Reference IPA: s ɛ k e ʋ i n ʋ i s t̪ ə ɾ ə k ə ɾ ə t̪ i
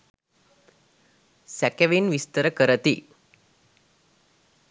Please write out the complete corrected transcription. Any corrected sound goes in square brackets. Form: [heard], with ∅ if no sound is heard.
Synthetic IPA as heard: s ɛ k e ʋ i n ʋ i s t̪ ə ɾ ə k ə ɾ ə t̪ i